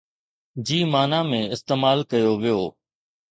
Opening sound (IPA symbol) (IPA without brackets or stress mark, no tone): d͡ʑ